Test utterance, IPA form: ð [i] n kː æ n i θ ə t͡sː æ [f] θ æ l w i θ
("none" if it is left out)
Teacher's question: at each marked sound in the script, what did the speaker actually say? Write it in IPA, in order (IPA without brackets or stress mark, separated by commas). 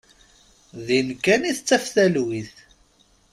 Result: i, f